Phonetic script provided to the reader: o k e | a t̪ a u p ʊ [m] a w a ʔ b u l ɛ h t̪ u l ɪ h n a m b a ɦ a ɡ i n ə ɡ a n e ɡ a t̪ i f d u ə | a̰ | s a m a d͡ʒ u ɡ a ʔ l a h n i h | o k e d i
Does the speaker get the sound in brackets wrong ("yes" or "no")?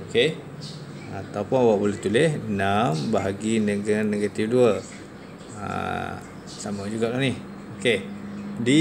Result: yes